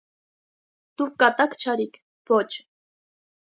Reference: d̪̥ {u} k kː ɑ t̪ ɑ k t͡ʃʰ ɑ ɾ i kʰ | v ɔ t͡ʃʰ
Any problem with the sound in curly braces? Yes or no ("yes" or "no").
no